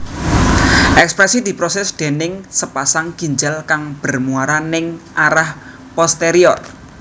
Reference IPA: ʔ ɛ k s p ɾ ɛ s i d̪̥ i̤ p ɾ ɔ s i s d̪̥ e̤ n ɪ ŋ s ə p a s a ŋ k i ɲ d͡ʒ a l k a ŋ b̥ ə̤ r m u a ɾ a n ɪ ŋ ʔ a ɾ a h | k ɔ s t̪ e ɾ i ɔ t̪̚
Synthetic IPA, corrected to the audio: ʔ ɛ k s p ɾ ɛ s i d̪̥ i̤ p ɾ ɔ s ɛ s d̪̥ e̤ n ɪ ŋ s ə p a s a ŋ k i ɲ d͡ʒ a l k a ŋ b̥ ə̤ r m u a ɾ a n ɪ ŋ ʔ a ɾ a h | p ɔ s t̪ e ɾ i ɔ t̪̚